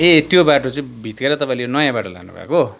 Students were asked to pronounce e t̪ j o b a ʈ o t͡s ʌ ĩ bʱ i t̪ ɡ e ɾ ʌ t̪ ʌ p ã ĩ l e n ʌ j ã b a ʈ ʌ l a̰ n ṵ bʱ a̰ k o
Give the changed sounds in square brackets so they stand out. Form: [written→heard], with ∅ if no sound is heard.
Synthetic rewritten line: e t̪ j o b a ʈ o t͡s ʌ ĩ bʱ i t̪ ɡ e ɾ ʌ t̪ ʌ p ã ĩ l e n ʌ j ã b a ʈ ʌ l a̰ n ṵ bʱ a̰ k o

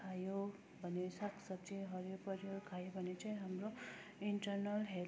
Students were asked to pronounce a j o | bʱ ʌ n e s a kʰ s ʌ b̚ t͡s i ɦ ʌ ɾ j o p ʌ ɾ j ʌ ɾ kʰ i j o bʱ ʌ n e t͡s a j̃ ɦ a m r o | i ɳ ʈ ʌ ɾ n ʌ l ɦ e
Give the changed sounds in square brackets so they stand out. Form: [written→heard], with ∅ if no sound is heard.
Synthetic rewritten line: a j o | bʱ ʌ n e s a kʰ s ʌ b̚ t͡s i ɦ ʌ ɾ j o p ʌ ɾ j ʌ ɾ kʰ [i→a] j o bʱ ʌ n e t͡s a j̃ ɦ a m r o | i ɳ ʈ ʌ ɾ n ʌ l ɦ e

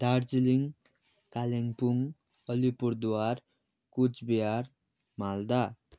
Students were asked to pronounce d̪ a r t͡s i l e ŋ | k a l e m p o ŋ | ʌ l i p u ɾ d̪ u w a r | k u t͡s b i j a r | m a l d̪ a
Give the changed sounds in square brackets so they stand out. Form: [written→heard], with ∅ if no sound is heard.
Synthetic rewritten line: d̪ a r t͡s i l [e→i] ŋ | k a l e [m→ŋ] p [o→u] ŋ | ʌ l i p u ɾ d̪ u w a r | k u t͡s b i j a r | m a l d̪ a

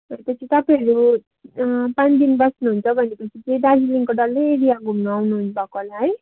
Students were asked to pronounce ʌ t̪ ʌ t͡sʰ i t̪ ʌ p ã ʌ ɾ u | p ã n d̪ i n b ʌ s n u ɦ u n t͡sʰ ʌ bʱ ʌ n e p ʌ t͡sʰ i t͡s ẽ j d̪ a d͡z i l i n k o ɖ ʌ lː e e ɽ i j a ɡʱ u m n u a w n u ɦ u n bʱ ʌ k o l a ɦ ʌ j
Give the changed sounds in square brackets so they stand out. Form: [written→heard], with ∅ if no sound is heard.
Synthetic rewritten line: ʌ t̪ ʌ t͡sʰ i t̪ ʌ p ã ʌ ɾ u | p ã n d̪ i n b ʌ s n u ɦ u n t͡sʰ ʌ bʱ ʌ n e p ʌ t͡sʰ i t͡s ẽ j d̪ a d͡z i l i [n→ŋ] k o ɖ ʌ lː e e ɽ i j a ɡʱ u m n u a w n u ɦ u n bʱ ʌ k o l a ɦ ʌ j

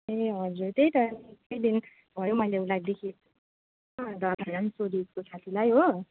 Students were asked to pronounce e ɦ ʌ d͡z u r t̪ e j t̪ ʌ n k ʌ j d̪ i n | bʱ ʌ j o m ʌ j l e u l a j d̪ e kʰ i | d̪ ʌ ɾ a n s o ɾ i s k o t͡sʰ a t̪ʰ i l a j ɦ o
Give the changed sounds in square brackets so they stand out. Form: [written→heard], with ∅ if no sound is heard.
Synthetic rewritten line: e ɦ ʌ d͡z u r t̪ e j t̪ ʌ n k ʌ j d̪ i n | bʱ ʌ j o m ʌ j l e u l a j d̪ e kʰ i | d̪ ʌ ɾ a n s o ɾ i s k o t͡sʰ a t̪ʰ i l a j ɦ o

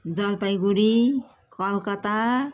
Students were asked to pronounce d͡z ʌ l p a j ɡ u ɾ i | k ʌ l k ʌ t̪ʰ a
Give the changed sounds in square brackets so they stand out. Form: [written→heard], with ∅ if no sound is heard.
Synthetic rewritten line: d͡z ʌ l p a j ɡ u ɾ i | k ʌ l k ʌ [t̪ʰ→t̪] a

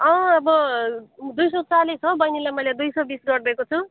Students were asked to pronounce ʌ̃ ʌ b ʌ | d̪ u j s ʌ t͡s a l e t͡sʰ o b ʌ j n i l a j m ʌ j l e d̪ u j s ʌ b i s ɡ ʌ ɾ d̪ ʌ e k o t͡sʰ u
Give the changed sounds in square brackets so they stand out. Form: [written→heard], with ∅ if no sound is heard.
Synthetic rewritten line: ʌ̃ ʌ b ʌ | d̪ u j s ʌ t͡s a l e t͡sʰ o b ʌ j n i l a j m ʌ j l e d̪ u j s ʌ b i s ɡ ʌ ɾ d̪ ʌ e k o t͡sʰ u

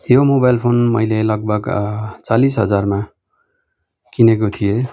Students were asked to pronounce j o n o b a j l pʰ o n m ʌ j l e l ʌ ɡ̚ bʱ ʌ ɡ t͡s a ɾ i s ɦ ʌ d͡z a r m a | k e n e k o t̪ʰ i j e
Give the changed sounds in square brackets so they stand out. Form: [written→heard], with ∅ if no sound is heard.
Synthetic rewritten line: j o [n→m] o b a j l pʰ o n m ʌ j l e l ʌ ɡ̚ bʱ ʌ ɡ t͡s a [ɾ→l] i s ɦ ʌ d͡z a r m a | k [e→i] n e k o t̪ʰ i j e

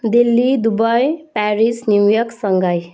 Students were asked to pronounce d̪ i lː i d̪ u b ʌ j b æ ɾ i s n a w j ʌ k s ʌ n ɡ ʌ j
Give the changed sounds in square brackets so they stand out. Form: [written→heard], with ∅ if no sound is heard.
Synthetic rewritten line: d̪ i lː i d̪ u b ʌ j [b→p] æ ɾ i s n [a→i] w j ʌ k s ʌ [n→ŋ] ɡ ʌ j

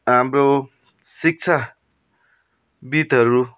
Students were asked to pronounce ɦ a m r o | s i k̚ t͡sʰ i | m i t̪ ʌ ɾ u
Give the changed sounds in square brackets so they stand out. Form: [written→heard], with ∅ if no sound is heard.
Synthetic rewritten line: ɦ a m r o | s i k̚ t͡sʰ [i→a] | [m→b] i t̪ ʌ ɾ u

